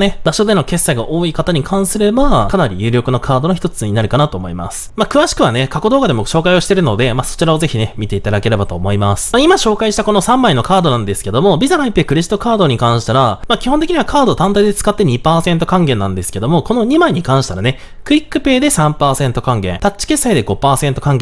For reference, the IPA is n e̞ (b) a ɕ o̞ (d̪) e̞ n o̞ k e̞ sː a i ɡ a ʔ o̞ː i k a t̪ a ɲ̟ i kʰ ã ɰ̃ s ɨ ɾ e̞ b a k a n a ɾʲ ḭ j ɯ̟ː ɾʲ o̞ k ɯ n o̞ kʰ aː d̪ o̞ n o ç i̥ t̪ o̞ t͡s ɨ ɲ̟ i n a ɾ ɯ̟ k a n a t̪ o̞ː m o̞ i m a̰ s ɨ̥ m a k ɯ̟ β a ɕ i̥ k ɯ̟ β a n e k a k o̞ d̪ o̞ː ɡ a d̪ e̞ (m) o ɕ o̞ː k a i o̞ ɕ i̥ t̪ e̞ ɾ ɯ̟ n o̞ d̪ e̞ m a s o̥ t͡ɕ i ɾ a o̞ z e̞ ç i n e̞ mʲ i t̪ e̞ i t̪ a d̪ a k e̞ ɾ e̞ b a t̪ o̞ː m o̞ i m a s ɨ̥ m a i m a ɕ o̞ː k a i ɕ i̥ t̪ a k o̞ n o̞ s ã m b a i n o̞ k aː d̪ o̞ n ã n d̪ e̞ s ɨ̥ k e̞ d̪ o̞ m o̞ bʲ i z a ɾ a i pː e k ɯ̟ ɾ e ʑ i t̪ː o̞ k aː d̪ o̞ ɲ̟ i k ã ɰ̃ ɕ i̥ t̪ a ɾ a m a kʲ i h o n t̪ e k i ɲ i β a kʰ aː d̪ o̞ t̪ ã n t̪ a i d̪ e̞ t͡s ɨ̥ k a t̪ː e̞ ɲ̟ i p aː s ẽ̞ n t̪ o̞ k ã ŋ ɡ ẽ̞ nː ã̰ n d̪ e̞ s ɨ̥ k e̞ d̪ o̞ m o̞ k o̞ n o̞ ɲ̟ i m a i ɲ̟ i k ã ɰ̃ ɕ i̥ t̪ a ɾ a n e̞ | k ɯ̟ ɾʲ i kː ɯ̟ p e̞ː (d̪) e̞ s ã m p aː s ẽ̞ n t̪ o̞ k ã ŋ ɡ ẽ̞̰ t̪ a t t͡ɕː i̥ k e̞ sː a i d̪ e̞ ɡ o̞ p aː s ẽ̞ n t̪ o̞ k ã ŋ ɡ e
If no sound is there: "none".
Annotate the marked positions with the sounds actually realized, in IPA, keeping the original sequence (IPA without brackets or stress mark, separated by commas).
b, d̪, m, d̪